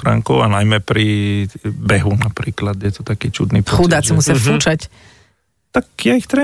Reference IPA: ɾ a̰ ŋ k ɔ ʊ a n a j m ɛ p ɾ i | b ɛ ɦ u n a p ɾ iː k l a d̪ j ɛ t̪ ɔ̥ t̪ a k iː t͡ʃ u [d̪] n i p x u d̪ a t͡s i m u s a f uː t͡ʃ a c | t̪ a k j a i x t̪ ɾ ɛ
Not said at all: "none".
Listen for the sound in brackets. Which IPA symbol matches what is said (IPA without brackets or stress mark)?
d̪